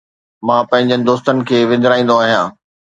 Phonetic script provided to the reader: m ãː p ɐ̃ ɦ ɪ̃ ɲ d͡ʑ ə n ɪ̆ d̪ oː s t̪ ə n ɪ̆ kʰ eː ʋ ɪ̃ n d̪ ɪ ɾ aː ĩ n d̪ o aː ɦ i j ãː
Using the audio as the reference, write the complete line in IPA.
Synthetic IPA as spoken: m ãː p ɐ̃ ɦ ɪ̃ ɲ d͡ʑ ə n ɪ̆ d̪ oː s t̪ ə n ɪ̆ kʰ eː ʋ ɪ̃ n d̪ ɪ ɾ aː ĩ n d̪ o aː ɦ i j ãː